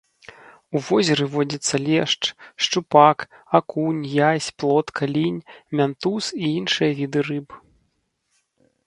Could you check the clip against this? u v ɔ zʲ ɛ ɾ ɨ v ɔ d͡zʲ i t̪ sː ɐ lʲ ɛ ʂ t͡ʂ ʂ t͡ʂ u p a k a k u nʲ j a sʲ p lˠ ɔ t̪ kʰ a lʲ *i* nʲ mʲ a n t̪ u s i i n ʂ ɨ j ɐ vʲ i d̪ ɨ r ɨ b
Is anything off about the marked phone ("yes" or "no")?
no